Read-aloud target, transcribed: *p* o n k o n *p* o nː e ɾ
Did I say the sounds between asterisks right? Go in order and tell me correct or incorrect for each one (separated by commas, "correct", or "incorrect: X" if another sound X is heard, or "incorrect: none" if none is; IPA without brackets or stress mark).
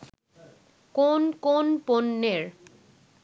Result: incorrect: k, correct